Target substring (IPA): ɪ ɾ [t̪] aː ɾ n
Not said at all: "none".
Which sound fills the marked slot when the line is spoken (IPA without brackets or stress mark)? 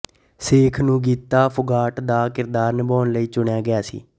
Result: d̪